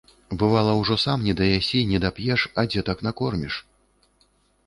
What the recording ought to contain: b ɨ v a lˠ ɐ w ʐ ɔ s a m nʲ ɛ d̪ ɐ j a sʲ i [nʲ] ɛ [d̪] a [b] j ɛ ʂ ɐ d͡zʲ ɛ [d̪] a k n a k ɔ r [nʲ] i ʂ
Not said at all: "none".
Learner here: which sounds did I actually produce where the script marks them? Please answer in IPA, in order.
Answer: nʲ, d̪, p, t̪, mʲ

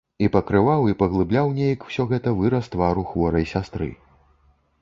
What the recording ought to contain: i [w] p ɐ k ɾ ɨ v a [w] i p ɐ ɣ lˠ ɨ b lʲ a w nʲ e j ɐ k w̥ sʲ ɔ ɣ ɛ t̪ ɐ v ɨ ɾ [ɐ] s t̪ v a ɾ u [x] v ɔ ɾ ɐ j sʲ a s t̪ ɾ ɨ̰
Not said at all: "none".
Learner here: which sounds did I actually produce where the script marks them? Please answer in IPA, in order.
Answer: none, w, ɐ, x

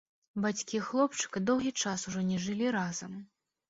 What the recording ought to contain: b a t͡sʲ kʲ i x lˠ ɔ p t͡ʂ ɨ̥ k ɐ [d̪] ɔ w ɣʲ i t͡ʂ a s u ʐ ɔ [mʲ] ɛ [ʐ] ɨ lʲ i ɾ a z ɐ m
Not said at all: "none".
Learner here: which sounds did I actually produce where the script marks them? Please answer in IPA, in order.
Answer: d̪, nʲ, ʐ

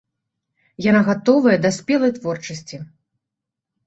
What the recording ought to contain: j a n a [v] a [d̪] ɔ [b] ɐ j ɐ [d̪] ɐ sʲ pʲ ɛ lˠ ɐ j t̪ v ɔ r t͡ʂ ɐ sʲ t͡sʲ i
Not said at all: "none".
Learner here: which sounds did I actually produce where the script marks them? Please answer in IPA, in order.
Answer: ɣ, t̪, v, d̪

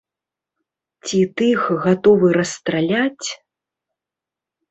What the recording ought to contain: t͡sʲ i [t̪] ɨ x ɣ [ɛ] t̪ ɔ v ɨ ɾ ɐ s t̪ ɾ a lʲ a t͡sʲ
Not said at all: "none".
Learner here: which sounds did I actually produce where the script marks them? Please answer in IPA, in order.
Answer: t̪, a

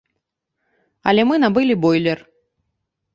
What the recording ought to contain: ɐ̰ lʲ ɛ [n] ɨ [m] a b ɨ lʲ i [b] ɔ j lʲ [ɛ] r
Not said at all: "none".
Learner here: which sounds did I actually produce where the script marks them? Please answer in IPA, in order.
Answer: m, n, b, ɛ

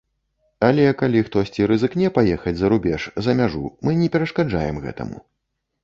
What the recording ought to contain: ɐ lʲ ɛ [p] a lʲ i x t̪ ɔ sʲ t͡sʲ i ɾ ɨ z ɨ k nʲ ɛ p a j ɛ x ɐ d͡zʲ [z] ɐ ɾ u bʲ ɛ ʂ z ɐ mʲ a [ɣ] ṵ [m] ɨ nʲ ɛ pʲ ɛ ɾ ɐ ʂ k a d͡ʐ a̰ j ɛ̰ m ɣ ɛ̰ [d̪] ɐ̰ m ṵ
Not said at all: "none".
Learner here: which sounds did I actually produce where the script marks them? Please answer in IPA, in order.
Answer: k, z, ʐ, m, t̪

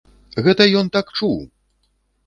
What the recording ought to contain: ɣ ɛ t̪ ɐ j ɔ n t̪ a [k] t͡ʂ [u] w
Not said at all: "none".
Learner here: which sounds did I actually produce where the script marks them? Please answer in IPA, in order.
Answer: k, u

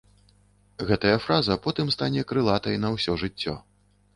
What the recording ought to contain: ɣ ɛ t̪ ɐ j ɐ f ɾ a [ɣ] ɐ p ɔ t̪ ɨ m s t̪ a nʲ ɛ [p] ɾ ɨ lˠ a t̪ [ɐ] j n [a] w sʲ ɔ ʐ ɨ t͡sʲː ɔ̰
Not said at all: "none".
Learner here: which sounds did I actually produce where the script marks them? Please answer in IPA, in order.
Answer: z, k, ɐ, ɐ

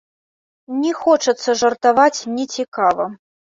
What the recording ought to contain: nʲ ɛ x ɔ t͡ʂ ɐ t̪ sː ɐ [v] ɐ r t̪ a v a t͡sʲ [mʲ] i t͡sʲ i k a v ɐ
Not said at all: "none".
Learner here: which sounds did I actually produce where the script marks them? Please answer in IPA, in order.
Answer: ʐ, nʲ

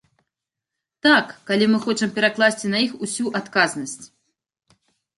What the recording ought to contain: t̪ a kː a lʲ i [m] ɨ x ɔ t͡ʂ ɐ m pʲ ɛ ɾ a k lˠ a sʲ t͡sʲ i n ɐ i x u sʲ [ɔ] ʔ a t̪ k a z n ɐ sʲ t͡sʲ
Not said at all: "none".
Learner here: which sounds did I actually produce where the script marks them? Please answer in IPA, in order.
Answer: m, u

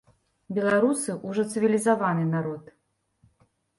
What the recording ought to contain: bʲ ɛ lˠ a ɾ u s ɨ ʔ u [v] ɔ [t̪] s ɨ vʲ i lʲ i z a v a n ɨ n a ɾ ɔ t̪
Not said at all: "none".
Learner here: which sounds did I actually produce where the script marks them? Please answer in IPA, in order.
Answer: ʐ, t̪

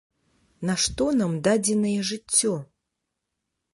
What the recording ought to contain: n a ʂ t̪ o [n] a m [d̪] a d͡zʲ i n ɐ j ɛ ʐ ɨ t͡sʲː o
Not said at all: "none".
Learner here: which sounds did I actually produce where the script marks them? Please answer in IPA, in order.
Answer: n, d̪

